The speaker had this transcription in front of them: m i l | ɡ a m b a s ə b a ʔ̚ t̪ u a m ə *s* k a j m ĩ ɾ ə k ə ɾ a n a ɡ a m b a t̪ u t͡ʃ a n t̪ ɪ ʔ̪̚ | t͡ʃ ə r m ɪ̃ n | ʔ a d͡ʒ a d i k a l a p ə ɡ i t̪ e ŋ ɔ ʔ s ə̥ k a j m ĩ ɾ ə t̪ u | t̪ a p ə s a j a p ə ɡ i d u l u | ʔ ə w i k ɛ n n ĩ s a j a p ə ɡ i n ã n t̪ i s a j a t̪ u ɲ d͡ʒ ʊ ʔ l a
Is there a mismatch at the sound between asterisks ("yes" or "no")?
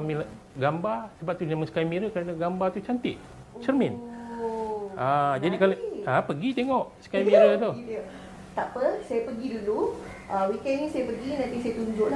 no